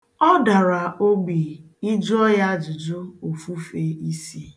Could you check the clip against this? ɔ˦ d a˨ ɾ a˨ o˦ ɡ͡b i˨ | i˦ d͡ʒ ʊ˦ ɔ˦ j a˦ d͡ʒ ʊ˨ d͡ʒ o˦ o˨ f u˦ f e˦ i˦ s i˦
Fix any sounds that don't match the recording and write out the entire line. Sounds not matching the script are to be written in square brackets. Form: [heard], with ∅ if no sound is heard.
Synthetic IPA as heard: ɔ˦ d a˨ ɾ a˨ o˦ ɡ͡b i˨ | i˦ d͡ʒ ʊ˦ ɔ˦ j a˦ d͡ʒ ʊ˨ d͡ʒ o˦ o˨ f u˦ f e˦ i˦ s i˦